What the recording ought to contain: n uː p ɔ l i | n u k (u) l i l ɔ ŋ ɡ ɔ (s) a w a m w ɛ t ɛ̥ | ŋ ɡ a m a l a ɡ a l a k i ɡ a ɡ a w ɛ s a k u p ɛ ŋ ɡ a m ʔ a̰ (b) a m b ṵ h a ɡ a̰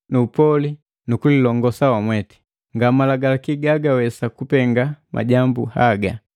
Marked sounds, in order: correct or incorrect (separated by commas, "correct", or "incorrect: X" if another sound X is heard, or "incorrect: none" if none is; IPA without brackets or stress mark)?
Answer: correct, correct, incorrect: ɟ